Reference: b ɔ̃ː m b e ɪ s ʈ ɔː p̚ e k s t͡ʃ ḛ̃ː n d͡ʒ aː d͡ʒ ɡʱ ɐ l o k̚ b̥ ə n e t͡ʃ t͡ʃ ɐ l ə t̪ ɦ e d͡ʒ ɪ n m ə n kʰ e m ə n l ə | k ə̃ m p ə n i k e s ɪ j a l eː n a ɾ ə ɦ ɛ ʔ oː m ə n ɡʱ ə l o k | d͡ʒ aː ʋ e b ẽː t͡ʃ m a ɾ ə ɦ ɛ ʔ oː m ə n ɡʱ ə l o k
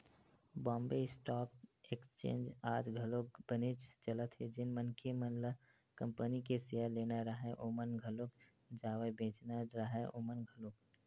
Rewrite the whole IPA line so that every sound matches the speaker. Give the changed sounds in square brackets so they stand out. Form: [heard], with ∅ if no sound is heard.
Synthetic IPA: b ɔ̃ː m b e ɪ s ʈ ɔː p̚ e k s t͡ʃ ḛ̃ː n d͡ʒ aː d͡ʒ ɡʱ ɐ l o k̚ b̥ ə n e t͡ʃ t͡ʃ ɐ l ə t̪ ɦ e d͡ʒ ɪ n m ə n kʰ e m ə n l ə | k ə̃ m p ə n i k e s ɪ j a l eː n a ɾ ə ɦ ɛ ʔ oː m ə n ɡʱ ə l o k | d͡ʒ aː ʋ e b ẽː t͡ʃ [n] a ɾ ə ɦ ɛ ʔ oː m ə n ɡʱ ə l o k